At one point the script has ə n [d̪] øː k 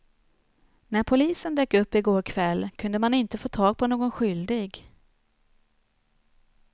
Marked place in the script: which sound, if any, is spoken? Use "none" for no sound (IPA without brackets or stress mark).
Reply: d̪